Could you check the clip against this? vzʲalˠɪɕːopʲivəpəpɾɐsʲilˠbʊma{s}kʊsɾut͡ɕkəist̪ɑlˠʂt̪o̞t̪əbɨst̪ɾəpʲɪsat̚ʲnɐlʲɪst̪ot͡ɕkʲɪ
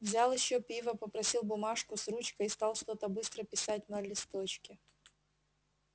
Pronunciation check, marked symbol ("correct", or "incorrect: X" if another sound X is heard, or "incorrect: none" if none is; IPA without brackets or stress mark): incorrect: ʂ